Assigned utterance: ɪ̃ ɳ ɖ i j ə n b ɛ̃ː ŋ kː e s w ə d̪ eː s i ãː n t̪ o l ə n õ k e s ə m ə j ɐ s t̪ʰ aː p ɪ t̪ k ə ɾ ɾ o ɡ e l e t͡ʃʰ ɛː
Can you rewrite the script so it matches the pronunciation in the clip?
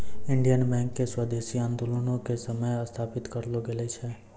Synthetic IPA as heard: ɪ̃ ɳ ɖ i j ə n b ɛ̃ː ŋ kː e s w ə d̪ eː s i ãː n d̪ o l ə n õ k e s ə m ə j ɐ s t̪ʰ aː p ɪ t̪ k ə ɾ l o ɡ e l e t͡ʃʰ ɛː